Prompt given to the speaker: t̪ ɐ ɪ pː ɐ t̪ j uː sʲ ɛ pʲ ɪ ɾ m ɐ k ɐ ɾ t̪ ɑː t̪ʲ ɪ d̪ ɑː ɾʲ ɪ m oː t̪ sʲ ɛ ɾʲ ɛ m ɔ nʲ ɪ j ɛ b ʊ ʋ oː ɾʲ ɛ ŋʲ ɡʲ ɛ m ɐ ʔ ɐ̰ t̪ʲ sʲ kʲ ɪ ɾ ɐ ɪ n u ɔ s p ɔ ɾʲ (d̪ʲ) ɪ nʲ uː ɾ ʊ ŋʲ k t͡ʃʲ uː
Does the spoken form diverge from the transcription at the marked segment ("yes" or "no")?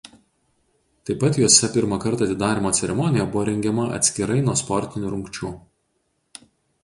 yes